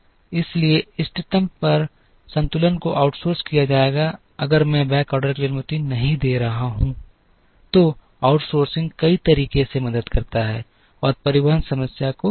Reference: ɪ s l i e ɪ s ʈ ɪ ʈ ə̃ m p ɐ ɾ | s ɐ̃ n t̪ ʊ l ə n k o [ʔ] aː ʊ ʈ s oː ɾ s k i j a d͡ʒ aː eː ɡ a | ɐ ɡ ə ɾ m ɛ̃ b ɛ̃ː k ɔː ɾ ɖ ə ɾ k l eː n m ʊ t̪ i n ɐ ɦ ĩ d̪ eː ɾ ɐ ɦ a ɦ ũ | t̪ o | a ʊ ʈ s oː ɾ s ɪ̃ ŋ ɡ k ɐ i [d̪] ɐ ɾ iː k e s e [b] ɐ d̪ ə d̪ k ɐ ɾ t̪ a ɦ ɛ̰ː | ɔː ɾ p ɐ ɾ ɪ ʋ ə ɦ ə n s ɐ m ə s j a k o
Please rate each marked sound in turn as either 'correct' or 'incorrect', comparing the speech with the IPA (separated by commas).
correct, incorrect, incorrect